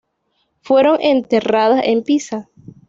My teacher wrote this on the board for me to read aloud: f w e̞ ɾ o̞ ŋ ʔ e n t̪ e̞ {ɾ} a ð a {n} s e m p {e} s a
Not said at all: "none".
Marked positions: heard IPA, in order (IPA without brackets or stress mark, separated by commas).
r, none, i